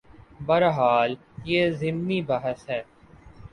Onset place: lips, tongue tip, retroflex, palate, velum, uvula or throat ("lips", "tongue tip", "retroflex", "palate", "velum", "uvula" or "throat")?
lips